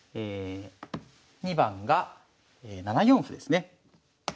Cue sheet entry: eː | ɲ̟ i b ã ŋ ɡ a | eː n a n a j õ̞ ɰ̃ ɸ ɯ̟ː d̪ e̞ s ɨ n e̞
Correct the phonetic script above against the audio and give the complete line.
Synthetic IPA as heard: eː | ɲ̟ i b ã ŋ ɡ a | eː n a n a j õ̞ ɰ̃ ɸ ɯ̟ d̪ e̞ s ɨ n e̞